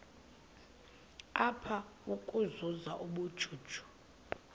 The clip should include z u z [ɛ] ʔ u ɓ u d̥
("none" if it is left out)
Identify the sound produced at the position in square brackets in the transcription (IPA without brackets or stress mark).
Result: a